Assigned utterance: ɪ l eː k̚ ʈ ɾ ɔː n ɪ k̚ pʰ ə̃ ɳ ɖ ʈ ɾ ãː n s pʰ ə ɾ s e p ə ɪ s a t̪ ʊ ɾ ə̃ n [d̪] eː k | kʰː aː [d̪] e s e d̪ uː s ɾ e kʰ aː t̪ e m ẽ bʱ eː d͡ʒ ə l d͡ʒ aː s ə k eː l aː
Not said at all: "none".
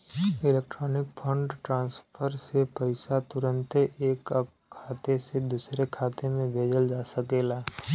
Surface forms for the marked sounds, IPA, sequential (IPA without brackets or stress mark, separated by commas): t̪, t̪